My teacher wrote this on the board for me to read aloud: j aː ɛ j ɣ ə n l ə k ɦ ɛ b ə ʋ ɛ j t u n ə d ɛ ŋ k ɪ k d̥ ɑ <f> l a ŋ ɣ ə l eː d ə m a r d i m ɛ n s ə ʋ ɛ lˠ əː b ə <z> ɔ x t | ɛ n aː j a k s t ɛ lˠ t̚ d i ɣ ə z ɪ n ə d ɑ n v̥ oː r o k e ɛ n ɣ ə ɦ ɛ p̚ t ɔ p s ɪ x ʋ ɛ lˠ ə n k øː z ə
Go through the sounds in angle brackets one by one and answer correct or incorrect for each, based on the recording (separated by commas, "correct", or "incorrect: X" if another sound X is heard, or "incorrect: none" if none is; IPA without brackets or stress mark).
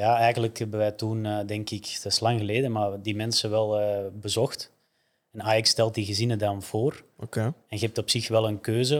incorrect: s, correct